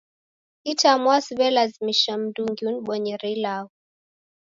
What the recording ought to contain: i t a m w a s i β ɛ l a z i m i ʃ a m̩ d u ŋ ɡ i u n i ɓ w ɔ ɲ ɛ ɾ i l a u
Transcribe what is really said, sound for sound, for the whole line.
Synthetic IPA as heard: i t a m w a s i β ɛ l a z i m i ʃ a m̩ d u ŋ ɡ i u n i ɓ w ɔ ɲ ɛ ɾ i l a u